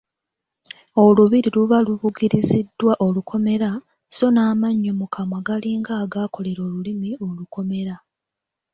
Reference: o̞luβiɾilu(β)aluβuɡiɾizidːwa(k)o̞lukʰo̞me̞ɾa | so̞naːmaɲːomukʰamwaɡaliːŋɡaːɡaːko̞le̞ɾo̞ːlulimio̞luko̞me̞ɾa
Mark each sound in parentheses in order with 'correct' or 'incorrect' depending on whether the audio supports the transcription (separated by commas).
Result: correct, incorrect